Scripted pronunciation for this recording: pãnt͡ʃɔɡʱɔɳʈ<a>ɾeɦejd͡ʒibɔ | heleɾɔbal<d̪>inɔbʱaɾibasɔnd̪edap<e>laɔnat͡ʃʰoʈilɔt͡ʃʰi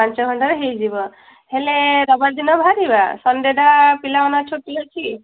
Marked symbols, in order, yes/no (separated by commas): yes, yes, no